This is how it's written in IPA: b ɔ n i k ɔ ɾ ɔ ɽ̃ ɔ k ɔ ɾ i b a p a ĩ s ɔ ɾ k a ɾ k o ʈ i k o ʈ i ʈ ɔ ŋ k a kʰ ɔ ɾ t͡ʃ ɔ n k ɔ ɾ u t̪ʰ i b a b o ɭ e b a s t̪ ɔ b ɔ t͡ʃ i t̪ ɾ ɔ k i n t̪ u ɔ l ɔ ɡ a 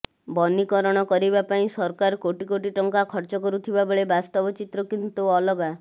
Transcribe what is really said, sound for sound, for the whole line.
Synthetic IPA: b ɔ n i k ɔ ɾ ɔ ɽ̃ ɔ k ɔ ɾ i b a p a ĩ s ɔ ɾ k a ɾ k o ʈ i k o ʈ i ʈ ɔ ŋ k a kʰ ɔ ɾ t͡ʃ ɔ k ɔ ɾ u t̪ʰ i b a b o ɭ e b a s t̪ ɔ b ɔ t͡ʃ i t̪ ɾ ɔ k i n t̪ u ɔ l ɔ ɡ a